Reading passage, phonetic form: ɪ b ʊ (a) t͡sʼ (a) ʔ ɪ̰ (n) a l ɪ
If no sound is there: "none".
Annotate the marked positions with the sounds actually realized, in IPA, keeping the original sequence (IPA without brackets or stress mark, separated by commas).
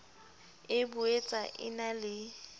e, a, n